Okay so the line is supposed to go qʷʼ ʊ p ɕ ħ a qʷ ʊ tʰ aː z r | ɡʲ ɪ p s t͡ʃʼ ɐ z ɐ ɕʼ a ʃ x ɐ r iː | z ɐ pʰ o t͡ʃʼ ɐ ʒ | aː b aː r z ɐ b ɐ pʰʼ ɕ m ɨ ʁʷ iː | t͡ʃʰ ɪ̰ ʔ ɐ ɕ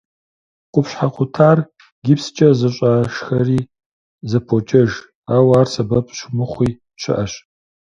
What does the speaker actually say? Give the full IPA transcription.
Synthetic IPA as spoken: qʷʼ ʊ p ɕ ħ a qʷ ʊ tʰ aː r | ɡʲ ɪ p s t͡ʃʼ ɐ z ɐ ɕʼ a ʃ x ɐ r iː | z ɐ pʰ o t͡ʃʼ ɐ ʒ | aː w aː r s ɐ b ɐ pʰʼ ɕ m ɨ χʷ iː | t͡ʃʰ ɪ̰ ʔ ɐ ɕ